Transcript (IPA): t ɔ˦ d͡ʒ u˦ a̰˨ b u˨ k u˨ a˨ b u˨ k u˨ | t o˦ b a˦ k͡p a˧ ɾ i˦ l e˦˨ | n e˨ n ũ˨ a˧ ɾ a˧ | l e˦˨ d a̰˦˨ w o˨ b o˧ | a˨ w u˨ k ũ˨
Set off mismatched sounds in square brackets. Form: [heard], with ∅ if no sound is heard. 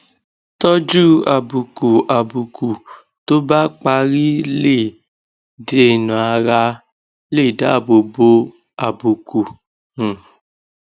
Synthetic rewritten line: t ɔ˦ d͡ʒ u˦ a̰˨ b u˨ k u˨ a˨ b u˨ k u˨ | t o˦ b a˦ k͡p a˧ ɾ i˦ l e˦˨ | [d] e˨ n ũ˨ a˧ ɾ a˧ | l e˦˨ d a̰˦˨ [b] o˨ b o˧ | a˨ [b] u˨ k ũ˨